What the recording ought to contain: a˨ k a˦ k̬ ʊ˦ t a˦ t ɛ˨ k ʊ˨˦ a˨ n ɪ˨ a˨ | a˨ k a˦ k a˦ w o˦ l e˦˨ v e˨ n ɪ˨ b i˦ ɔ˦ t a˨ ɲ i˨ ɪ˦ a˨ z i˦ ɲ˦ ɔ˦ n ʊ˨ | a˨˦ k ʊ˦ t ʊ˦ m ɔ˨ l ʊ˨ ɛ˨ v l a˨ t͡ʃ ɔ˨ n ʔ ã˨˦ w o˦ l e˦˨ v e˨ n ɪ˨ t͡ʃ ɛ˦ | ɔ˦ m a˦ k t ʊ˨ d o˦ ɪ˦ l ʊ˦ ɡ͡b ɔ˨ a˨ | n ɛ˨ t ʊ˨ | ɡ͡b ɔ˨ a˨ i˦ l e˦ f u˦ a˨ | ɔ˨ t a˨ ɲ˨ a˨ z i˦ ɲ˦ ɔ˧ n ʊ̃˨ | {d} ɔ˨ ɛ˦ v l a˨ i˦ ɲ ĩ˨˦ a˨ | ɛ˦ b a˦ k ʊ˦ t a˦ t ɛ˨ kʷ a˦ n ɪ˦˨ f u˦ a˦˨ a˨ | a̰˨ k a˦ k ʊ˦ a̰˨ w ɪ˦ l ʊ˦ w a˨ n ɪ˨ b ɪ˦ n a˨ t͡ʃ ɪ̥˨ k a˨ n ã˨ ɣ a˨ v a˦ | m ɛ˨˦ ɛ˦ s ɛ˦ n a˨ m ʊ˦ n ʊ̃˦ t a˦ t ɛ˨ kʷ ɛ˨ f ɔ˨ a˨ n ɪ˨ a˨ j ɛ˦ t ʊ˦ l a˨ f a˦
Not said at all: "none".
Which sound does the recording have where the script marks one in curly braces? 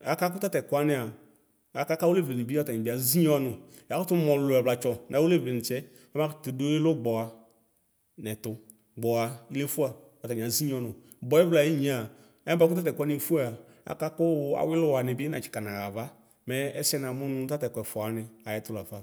b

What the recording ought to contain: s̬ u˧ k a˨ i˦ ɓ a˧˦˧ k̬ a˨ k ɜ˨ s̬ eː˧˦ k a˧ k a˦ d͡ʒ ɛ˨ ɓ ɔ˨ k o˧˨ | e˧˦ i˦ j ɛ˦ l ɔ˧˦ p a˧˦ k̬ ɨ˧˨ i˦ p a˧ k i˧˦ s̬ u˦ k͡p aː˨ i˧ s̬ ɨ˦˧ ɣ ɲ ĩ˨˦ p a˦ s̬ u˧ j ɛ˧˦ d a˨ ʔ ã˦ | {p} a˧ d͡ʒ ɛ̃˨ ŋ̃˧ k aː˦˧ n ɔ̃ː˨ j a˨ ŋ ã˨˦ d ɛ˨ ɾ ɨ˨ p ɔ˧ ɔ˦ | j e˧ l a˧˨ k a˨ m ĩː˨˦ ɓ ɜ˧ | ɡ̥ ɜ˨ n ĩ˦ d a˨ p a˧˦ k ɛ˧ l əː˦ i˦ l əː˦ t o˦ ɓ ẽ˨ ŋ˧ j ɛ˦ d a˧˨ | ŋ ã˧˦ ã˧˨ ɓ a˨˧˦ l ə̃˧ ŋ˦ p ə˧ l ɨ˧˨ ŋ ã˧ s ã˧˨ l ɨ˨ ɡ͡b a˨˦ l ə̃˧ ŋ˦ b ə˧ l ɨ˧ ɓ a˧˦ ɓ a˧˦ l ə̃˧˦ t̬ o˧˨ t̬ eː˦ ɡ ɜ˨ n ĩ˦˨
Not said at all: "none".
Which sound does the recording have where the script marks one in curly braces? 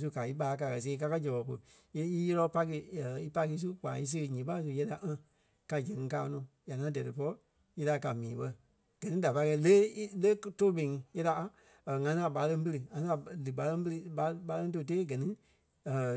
k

